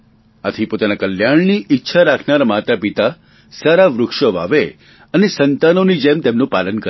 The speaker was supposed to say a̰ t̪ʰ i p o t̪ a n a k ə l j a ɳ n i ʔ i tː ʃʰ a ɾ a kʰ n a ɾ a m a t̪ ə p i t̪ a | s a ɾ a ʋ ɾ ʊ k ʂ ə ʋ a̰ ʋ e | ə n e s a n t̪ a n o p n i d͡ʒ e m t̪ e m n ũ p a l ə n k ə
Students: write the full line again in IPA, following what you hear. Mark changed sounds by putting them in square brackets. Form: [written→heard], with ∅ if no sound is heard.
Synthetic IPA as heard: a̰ t̪ʰ i p o t̪ a n a k ə l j a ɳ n i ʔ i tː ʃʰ a ɾ a kʰ n a ɾ a m a t̪ [ə→a] p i t̪ a | s a ɾ a ʋ ɾ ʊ k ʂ ə ʋ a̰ ʋ e | ə n e s [a→ə] n t̪ a n o [p→∅] n i d͡ʒ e m t̪ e m n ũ p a l ə n k ə